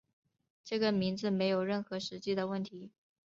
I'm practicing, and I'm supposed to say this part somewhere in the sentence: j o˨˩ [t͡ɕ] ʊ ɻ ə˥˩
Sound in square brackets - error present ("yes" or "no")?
yes